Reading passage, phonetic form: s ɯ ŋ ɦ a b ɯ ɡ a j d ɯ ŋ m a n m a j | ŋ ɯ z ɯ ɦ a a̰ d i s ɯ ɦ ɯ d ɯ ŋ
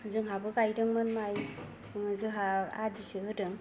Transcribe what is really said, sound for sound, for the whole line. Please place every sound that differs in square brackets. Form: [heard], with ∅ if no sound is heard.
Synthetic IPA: [z] ɯ ŋ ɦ a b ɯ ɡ a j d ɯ ŋ m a n m a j | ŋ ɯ z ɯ ɦ a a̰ d i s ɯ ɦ ɯ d ɯ ŋ